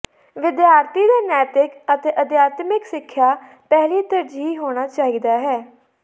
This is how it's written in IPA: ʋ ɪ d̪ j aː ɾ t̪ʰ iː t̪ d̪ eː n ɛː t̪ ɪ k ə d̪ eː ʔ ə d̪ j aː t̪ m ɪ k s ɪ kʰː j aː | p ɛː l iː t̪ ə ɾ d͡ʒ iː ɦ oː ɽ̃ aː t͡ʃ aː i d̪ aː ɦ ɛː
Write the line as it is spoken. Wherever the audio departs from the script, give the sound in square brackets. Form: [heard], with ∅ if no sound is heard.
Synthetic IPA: ʋ ɪ d̪ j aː ɾ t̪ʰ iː [∅] d̪ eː n ɛː t̪ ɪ k ə [t̪] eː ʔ ə d̪ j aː t̪ m ɪ k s ɪ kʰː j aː | p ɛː l iː t̪ ə ɾ d͡ʒ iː ɦ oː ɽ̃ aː t͡ʃ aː i d̪ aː ɦ ɛː